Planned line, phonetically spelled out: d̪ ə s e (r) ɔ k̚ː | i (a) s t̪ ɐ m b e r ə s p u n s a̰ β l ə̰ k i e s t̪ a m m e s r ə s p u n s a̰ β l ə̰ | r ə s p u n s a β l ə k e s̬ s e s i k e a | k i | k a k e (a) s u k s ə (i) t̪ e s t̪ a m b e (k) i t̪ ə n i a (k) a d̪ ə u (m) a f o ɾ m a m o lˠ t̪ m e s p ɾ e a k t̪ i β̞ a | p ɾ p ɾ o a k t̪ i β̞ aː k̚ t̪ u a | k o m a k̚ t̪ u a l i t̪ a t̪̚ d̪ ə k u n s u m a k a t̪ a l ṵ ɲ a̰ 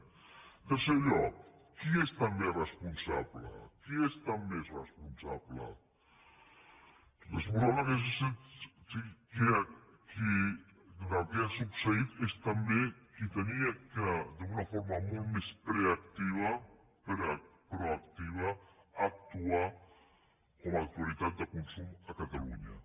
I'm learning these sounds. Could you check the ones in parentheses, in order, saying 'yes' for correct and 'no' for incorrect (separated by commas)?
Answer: no, no, yes, yes, yes, yes, no